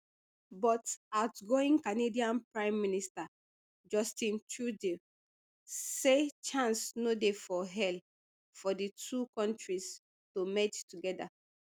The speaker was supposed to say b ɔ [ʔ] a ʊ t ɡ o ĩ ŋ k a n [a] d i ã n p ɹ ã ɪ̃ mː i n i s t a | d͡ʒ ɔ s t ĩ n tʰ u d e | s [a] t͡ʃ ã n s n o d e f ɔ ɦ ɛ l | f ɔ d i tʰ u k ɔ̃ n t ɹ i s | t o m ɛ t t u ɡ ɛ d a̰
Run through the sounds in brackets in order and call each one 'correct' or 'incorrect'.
incorrect: t, incorrect: e, incorrect: e

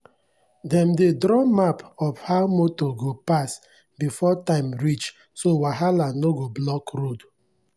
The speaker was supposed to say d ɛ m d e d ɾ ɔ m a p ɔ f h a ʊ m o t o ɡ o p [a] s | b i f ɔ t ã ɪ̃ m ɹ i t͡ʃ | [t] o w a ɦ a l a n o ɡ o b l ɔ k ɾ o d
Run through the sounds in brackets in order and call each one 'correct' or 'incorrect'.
correct, incorrect: s

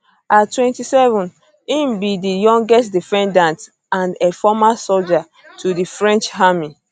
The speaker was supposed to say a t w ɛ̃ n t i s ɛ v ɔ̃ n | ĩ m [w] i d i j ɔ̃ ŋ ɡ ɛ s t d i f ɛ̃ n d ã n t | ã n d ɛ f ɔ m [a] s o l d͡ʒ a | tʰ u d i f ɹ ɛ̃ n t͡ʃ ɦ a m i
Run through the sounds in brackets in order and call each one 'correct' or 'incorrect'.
incorrect: b, correct

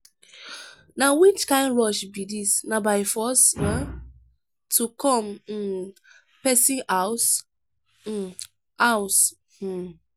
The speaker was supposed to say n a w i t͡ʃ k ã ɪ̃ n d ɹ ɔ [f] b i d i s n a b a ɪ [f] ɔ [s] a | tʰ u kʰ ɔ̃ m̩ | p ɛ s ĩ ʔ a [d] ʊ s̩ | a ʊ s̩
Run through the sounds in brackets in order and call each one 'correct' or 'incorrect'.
incorrect: ʃ, correct, correct, incorrect: none

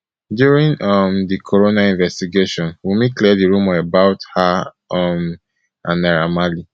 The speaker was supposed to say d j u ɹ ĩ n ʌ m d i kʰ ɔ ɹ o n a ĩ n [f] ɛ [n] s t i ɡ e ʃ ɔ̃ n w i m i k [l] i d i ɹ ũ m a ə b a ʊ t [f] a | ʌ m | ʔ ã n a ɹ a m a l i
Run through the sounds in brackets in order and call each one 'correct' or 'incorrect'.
incorrect: v, incorrect: none, correct, incorrect: h

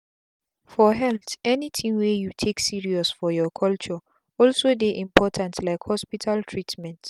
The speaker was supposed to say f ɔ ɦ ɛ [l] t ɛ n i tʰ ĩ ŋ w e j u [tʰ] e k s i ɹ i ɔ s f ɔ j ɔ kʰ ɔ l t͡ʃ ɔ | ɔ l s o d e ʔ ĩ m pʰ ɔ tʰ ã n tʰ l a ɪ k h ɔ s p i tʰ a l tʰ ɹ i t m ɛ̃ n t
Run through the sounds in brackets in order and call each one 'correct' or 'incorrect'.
correct, correct

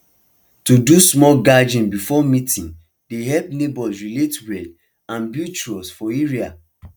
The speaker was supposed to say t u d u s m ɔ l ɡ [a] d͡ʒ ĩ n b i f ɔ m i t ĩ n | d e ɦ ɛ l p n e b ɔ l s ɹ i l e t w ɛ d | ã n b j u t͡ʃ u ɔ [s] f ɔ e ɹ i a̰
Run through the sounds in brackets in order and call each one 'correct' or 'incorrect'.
correct, correct

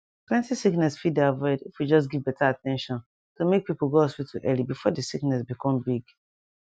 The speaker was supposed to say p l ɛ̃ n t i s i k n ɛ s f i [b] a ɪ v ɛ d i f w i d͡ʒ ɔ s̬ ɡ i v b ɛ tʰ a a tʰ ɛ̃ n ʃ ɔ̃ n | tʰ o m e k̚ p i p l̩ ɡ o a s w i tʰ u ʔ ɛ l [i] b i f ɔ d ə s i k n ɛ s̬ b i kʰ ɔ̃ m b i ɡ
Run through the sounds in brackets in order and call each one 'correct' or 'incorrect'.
incorrect: d, correct

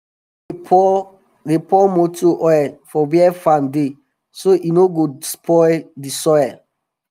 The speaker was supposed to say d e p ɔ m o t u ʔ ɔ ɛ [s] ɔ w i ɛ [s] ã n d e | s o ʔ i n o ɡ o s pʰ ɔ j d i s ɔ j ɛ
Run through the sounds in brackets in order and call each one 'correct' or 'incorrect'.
incorrect: f, incorrect: f

